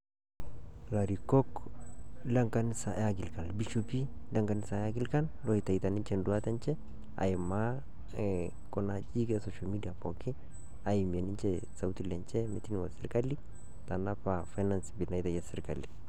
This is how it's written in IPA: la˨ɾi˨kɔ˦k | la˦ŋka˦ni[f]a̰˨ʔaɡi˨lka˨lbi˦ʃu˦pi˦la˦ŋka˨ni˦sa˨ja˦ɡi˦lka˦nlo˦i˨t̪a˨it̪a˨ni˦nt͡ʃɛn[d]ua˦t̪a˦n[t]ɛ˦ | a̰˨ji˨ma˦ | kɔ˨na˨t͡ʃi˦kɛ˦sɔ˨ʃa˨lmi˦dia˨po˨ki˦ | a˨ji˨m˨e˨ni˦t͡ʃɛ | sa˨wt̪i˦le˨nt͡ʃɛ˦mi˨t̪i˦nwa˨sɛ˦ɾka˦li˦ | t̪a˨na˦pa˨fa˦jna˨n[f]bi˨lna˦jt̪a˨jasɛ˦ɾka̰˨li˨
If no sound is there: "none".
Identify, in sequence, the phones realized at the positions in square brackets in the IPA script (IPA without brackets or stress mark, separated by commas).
s, d, t͡ʃ, s